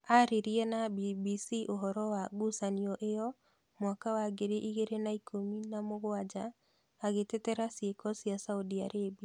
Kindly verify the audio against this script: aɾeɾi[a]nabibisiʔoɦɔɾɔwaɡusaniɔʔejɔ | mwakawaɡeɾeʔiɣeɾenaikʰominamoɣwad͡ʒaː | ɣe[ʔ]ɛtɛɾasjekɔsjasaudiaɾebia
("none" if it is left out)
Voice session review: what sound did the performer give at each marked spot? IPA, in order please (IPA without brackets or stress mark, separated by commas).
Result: ɛ, t